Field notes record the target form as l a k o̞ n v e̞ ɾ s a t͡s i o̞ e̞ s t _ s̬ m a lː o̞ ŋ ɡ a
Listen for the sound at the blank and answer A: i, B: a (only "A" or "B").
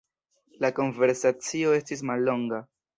A